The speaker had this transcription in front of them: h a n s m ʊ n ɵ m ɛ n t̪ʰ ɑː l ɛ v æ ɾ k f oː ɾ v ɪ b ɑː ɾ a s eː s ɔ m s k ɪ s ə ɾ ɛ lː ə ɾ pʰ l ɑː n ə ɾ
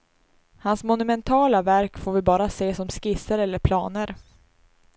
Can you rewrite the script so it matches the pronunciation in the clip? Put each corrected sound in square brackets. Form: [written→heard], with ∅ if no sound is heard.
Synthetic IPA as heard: h a n s m ʊ n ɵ m ɛ n t̪ʰ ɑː l [ɛ→a] v æ ɾ k f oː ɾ v ɪ b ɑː ɾ a s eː s ɔ m s k ɪ s ə ɾ ɛ lː ə ɾ pʰ l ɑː n ə ɾ